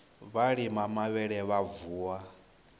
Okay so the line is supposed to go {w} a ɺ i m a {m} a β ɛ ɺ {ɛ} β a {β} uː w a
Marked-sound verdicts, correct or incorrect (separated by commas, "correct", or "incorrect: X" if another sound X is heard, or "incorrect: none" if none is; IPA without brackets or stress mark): incorrect: β, correct, correct, incorrect: v